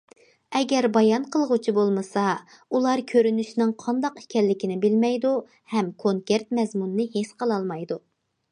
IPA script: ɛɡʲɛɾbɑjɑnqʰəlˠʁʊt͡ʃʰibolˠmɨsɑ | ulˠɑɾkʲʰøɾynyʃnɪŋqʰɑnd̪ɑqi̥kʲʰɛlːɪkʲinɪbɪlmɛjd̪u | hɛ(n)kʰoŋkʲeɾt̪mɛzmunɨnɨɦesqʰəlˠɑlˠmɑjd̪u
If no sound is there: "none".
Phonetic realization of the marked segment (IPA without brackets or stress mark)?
m